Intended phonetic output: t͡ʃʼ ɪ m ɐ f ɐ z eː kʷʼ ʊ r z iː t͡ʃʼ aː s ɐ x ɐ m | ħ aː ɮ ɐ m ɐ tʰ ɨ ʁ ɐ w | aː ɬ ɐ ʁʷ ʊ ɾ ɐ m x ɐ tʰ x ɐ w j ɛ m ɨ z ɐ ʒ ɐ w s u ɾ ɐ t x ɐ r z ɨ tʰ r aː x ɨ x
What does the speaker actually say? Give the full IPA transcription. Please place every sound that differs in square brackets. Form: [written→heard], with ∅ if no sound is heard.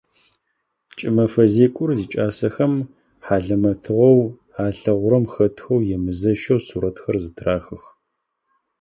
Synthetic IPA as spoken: t͡ʃʼ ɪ m ɐ f ɐ z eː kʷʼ ʊ r z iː t͡ʃʼ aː s ɐ x ɐ m | ħ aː ɮ ɐ m ɐ tʰ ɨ ʁ ɐ w | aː ɬ ɐ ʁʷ ʊ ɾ ɐ m x ɐ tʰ x ɐ w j ɛ m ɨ z ɐ [ʒ→ʃ] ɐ w s u ɾ ɐ t x ɐ r z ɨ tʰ r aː x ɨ x